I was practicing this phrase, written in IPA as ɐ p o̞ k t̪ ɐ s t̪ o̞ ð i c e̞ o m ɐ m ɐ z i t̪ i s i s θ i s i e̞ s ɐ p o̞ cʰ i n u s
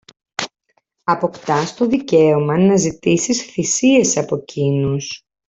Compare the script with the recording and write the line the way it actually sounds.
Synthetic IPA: ɐ p o̞ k t̪ ɐ s t̪ o̞ ð i c e̞ o m ɐ n ɐ z i t̪ i s i s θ i s i e̞ s ɐ p o̞ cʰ i n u s